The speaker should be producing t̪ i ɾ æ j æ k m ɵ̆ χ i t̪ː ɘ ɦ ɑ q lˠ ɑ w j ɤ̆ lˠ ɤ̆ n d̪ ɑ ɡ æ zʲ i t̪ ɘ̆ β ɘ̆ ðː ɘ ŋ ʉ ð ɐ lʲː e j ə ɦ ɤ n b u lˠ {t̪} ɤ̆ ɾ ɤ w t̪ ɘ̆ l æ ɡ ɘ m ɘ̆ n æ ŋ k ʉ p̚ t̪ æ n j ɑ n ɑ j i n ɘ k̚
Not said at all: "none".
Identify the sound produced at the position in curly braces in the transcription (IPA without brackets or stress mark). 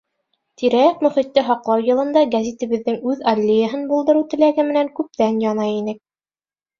d̪